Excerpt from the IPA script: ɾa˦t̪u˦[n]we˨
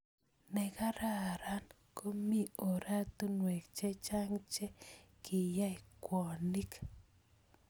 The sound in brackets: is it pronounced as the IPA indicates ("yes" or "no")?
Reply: yes